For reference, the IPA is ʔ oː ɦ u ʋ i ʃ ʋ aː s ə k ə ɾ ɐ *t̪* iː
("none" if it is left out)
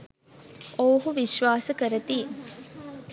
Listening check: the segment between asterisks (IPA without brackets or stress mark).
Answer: t̪